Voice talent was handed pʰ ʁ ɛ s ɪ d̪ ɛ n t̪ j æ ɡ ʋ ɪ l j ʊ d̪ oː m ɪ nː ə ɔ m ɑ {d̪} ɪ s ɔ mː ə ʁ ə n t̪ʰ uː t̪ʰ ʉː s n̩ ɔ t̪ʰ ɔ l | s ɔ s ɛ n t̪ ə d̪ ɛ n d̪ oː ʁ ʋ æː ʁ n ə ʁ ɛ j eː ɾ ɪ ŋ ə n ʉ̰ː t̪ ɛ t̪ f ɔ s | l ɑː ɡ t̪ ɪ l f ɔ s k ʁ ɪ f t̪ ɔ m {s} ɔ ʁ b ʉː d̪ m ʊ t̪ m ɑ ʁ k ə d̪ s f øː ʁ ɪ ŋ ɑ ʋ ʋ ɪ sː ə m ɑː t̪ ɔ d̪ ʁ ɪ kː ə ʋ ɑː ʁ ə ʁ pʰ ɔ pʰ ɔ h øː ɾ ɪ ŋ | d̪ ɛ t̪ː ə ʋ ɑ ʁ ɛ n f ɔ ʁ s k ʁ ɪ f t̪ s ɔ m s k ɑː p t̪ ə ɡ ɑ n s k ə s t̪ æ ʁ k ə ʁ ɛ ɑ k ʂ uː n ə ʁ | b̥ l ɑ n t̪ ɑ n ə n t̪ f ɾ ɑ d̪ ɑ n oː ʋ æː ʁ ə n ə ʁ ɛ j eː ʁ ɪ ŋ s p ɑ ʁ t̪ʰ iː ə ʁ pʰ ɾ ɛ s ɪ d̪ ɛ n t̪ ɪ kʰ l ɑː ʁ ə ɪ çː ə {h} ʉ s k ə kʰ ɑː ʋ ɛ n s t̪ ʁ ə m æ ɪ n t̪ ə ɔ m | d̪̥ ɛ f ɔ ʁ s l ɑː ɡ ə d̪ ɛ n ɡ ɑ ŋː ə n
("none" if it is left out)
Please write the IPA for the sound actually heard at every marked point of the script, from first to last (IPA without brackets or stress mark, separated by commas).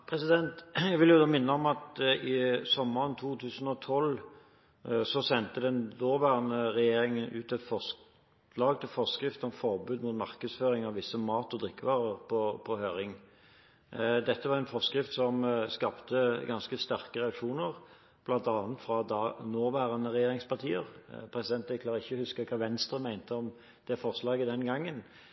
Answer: t̪, f, h